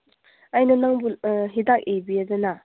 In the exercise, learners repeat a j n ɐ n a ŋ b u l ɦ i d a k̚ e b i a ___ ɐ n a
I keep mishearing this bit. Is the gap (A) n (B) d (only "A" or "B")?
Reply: B